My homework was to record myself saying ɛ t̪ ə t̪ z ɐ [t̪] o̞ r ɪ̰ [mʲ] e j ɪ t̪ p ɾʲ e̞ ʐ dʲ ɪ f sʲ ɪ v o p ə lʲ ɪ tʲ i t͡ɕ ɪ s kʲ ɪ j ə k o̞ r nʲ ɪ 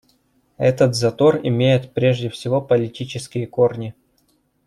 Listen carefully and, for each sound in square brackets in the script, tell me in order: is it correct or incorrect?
correct, correct

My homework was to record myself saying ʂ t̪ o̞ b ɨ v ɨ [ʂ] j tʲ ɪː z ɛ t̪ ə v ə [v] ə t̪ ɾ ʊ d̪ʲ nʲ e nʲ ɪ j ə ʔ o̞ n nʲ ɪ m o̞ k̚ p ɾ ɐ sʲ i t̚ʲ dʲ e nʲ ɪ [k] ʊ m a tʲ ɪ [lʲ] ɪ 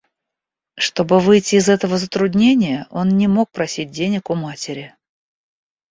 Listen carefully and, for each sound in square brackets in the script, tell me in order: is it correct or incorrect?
incorrect: none, incorrect: z, correct, incorrect: ɾʲ

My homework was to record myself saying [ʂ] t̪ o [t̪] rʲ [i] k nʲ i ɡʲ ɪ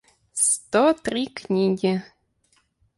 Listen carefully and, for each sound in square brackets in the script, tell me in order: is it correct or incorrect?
incorrect: s, correct, correct

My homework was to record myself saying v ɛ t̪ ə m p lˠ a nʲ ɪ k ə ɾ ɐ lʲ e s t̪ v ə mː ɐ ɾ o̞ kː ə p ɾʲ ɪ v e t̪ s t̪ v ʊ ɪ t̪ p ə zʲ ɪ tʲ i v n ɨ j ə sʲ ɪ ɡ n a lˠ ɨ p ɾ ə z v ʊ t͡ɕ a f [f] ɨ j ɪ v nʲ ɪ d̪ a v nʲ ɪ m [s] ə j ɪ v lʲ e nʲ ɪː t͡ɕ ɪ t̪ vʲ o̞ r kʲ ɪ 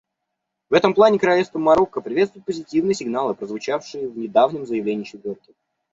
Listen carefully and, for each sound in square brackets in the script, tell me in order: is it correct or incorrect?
incorrect: ʂ, incorrect: z

